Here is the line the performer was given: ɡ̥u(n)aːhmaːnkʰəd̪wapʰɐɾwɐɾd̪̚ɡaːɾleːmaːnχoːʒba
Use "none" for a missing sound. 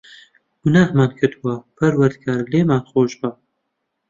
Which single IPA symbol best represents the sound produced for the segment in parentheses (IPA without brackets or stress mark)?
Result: n